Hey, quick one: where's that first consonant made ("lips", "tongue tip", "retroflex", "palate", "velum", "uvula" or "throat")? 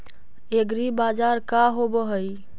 velum